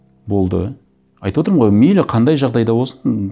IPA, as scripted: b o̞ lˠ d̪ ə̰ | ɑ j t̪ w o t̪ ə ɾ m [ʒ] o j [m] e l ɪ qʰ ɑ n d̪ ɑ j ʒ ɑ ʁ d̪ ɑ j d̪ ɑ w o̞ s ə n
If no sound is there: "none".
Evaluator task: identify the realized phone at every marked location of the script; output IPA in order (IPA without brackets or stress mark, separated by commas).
ʁ, m